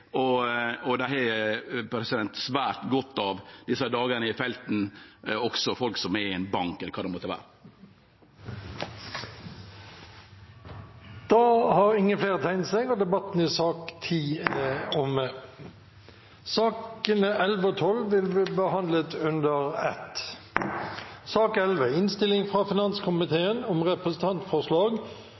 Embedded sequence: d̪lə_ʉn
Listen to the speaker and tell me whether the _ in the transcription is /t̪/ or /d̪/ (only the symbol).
t̪